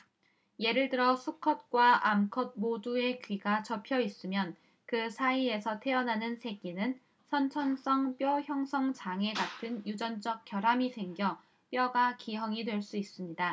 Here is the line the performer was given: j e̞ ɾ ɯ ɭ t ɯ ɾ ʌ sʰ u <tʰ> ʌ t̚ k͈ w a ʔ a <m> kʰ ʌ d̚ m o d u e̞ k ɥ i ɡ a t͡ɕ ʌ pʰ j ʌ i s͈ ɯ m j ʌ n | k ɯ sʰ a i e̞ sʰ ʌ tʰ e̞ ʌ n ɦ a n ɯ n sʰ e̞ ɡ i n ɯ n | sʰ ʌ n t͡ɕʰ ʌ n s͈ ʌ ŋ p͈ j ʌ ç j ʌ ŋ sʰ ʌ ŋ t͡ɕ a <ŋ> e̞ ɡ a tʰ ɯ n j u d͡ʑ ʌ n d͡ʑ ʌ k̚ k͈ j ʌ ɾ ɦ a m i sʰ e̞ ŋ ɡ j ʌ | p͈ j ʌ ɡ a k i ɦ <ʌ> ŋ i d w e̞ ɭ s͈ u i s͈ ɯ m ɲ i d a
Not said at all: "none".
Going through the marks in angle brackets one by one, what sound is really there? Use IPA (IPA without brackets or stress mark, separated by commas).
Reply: kʰ, m, ŋ, ʌ